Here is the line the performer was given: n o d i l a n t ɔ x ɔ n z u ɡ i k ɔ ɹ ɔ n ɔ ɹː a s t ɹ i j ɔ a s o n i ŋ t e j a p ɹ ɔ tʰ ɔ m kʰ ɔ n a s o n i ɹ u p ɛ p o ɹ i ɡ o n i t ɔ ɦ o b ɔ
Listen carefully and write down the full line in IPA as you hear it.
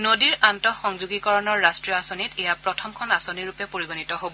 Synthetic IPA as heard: n o d i ɹ a n t ɔ x ɔ ŋ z u ɡ i k ɔ ɹ ɔ n ɔ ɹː a s t ɹ i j ɔ a s o n i t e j a p ɹ ɔ tʰ ɔ m kʰ ɔ n a s o n i ɹ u p ɛ p o ɹ i ɡ o n i t ɔ ɦ o b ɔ